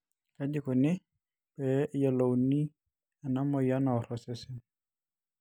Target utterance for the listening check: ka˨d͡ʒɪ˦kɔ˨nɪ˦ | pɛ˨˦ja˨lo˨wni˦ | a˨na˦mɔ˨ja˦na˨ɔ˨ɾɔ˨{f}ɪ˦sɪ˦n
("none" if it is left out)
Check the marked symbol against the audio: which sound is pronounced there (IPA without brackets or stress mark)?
s